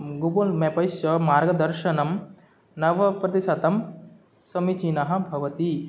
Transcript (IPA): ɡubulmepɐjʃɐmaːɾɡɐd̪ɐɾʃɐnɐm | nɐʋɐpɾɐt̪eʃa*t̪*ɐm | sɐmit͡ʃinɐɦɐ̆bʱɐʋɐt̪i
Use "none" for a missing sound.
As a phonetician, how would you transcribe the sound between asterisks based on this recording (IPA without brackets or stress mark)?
t̪